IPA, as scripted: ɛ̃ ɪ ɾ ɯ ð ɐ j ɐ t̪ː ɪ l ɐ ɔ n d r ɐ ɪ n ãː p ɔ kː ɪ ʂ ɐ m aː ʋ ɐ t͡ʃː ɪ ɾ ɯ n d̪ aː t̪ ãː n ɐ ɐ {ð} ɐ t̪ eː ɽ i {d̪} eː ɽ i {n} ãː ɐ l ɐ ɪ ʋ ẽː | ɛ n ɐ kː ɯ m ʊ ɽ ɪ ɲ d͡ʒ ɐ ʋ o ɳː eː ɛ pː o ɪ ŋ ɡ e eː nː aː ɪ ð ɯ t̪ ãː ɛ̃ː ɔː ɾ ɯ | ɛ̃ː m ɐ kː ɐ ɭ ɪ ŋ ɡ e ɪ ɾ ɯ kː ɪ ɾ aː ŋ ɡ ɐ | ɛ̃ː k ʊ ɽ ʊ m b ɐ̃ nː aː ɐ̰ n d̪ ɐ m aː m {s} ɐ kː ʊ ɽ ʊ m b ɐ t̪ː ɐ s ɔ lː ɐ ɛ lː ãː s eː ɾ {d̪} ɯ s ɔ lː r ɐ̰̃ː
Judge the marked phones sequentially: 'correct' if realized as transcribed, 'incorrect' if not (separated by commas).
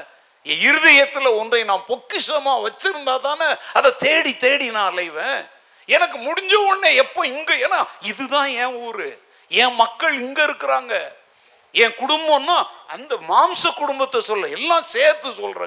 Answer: correct, incorrect, correct, correct, incorrect